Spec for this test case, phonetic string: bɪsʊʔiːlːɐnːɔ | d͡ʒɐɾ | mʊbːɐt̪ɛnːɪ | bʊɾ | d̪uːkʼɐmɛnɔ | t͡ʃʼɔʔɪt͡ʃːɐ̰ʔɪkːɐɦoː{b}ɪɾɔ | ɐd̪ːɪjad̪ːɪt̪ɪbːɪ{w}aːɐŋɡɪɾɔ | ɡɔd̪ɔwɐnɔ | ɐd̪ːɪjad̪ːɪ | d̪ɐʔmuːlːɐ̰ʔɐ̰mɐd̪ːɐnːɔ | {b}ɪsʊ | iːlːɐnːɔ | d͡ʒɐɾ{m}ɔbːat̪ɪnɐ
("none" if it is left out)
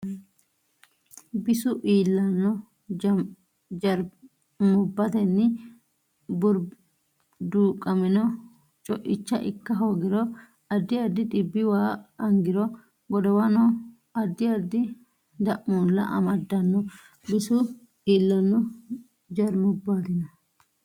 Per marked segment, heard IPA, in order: ɡ, w, b, m

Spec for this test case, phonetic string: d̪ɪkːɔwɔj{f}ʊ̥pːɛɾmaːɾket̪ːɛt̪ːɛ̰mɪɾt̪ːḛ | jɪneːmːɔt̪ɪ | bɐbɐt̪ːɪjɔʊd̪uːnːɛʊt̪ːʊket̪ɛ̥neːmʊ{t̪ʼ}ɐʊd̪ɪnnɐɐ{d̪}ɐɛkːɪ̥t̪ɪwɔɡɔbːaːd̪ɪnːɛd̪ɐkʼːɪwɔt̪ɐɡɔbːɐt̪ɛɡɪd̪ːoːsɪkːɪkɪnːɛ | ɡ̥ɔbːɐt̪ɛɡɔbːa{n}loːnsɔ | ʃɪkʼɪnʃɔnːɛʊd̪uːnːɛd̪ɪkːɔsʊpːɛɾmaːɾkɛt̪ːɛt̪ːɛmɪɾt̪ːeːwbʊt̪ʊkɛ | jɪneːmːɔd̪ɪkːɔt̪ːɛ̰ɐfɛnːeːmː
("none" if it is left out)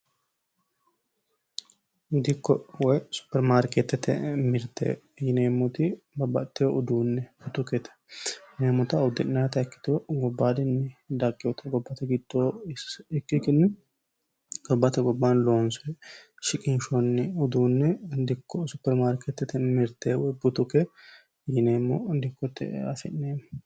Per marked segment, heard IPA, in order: s, t̪, t̪, n

